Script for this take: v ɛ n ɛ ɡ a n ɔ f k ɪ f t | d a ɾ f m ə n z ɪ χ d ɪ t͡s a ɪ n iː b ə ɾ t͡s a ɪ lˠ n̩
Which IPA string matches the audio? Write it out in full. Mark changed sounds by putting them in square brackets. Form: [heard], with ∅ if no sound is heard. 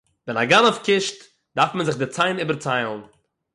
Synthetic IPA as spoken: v ɛ n [a] ɡ a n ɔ f k ɪ [ʃ] t | d a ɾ f m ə n z ɪ χ d ɪ t͡s a ɪ n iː b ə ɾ t͡s a ɪ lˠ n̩